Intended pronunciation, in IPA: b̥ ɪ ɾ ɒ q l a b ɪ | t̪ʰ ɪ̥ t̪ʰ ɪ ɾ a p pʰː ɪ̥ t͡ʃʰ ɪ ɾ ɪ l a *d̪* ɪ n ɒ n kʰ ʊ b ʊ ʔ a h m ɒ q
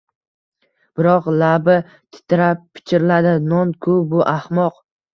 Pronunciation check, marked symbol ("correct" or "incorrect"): correct